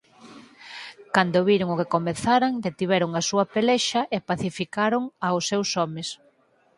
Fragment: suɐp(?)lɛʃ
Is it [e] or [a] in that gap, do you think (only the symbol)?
e